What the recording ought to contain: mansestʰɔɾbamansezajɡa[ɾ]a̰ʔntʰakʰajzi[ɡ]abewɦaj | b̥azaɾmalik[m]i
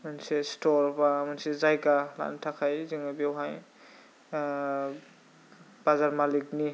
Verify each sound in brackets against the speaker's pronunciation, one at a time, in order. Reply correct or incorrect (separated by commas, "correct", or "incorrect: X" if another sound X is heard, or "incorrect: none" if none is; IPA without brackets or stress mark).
incorrect: l, incorrect: ŋ, incorrect: n